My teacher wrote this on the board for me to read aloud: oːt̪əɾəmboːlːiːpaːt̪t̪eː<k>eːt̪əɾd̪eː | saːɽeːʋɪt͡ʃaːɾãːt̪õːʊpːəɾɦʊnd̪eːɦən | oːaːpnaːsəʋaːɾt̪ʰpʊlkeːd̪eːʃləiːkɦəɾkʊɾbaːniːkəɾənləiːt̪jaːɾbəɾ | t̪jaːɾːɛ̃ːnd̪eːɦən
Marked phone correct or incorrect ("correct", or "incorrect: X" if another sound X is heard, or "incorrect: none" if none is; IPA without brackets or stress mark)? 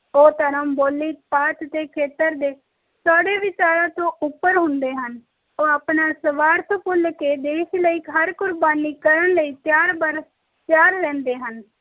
incorrect: kʰ